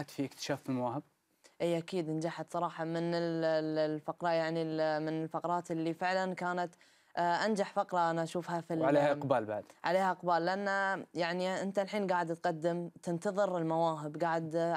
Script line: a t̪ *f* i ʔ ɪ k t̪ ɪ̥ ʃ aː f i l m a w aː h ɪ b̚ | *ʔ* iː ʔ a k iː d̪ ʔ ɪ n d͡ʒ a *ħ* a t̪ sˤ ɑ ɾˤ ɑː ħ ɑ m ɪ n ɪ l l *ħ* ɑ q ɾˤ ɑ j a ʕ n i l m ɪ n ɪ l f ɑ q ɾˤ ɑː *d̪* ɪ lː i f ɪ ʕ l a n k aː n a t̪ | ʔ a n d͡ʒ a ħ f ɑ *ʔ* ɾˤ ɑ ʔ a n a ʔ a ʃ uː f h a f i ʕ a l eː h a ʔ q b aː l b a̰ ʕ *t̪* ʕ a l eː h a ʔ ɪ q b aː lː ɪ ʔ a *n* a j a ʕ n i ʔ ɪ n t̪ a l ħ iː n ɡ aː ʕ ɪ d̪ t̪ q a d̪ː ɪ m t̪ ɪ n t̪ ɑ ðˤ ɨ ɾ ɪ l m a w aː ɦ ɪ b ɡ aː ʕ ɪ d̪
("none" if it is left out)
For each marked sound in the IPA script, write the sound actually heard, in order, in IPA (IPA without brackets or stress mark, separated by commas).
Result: f, ʔ, ħ, f, t̪, q, d̪, nː